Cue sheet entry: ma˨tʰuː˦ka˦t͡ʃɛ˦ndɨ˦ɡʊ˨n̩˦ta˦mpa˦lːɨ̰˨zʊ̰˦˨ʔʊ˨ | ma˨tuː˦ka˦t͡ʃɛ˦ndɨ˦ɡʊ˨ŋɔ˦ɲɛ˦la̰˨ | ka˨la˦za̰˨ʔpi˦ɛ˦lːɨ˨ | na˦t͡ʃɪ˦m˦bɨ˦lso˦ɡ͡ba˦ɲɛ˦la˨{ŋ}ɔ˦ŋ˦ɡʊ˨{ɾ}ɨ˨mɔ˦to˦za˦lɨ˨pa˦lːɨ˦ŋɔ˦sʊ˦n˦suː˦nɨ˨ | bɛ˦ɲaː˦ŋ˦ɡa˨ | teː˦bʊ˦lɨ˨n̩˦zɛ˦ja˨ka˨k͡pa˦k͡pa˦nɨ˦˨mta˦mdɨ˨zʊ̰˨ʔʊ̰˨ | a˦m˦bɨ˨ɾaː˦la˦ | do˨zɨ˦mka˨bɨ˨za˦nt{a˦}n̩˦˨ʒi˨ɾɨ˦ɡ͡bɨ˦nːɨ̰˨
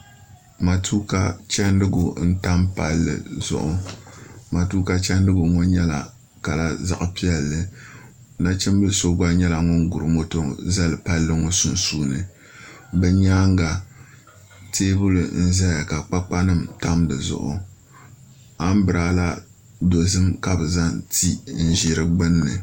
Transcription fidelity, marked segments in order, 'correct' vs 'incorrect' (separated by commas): correct, correct, incorrect